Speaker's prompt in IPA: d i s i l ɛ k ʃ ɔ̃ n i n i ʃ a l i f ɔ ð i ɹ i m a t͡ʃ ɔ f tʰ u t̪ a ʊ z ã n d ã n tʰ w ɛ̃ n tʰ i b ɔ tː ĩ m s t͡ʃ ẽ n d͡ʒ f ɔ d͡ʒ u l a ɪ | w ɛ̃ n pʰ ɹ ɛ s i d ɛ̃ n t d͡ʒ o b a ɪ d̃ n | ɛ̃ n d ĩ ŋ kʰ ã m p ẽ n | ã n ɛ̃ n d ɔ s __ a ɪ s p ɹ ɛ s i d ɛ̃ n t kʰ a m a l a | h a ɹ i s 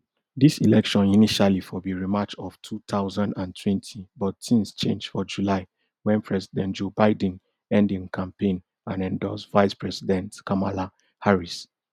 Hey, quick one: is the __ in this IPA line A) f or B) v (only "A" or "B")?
B